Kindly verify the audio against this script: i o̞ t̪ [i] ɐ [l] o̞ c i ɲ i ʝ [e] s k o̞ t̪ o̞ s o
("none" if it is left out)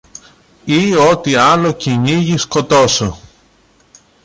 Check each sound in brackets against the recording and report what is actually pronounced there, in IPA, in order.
i, l, i

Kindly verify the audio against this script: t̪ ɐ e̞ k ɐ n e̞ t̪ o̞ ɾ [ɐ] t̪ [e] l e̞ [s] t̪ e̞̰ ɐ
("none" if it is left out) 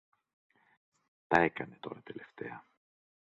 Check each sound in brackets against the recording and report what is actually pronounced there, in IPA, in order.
ɐ, e, f

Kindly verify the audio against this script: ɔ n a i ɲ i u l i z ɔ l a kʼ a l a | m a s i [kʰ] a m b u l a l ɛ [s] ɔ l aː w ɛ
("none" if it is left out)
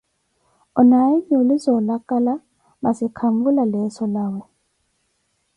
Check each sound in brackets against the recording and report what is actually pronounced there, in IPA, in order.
kʰ, s

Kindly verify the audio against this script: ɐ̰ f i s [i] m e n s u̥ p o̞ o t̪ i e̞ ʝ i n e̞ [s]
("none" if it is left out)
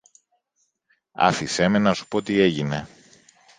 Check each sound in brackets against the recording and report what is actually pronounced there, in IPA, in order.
e, none

